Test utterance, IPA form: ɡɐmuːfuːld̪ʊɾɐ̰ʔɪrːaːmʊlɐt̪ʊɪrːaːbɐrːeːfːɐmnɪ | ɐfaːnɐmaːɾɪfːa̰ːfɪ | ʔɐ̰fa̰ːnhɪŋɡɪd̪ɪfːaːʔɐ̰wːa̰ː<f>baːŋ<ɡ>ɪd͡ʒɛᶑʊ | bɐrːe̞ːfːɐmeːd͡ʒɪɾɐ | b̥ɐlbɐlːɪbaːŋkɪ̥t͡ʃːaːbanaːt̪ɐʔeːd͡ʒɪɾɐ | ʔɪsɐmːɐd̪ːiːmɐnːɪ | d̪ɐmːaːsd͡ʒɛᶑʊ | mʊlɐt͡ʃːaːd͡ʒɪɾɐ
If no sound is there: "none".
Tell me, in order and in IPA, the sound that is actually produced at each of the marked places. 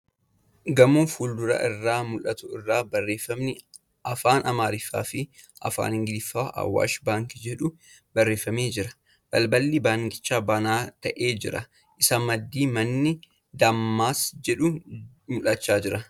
ʃ, k

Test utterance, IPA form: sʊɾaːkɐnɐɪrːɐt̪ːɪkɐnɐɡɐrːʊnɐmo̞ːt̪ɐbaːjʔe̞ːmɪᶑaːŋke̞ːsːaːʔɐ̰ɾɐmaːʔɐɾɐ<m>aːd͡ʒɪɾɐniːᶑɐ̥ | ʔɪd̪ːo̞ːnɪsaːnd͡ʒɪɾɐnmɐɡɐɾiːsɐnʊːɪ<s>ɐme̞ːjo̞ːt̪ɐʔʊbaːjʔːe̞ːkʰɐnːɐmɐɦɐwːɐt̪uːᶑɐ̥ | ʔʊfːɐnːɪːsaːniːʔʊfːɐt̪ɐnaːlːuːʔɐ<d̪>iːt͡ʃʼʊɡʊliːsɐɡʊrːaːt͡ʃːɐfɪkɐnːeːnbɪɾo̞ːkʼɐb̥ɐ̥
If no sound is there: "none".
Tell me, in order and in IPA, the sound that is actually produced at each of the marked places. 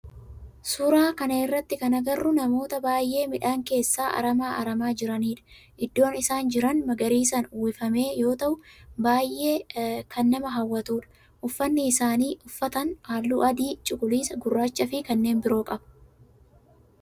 m, f, d̪

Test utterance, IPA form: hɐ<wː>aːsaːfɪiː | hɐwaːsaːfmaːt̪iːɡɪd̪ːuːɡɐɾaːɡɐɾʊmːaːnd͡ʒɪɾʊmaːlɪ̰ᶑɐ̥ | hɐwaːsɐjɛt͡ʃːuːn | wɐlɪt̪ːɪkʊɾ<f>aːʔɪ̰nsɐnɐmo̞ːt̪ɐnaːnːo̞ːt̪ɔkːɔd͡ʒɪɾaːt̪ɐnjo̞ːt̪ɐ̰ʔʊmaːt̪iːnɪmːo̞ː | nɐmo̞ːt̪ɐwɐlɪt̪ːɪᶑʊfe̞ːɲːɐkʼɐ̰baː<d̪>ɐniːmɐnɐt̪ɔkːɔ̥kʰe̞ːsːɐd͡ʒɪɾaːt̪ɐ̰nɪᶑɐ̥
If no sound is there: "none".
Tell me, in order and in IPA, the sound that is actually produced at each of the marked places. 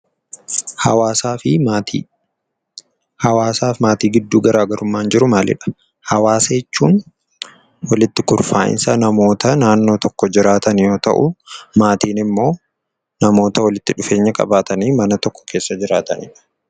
w, f, t̪

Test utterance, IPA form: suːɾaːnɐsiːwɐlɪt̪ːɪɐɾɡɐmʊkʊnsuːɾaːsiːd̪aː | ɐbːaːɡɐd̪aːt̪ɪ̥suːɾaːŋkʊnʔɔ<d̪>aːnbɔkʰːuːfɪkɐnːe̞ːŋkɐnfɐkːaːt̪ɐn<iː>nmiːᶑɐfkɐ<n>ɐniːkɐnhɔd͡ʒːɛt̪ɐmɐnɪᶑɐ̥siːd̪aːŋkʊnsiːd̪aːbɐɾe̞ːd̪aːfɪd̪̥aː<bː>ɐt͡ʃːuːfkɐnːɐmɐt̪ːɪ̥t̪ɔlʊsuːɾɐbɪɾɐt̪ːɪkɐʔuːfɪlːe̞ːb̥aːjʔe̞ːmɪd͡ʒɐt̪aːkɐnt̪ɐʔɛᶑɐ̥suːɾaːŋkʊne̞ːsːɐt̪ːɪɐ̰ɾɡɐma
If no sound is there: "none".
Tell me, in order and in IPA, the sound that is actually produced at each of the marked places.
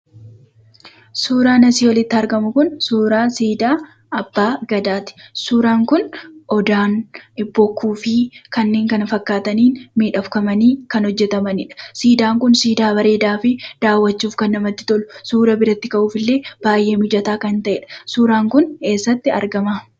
d̪, iː, m, wː

